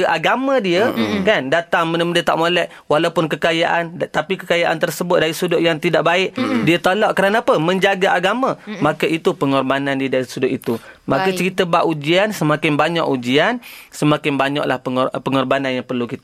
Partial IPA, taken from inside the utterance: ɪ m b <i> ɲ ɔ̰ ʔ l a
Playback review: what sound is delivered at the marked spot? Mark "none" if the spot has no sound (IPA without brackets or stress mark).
a